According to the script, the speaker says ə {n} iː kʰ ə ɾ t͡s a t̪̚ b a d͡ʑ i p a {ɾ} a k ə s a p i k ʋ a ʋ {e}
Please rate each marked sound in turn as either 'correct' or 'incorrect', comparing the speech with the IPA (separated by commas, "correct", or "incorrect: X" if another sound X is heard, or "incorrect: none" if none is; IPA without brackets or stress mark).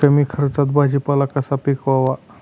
incorrect: m, incorrect: l, incorrect: a